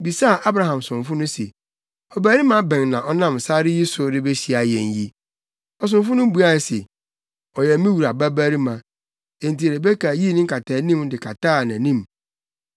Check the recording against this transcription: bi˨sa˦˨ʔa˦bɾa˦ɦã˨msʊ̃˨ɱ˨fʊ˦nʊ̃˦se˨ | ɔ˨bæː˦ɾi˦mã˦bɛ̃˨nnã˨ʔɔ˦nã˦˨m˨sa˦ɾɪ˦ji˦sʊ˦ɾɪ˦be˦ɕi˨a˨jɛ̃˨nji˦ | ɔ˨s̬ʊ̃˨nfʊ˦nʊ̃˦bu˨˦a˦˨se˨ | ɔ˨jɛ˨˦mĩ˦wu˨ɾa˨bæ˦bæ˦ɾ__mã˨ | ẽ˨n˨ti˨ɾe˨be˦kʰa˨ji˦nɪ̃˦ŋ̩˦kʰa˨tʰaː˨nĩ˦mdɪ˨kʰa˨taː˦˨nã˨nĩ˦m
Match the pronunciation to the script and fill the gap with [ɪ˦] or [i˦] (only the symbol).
i˦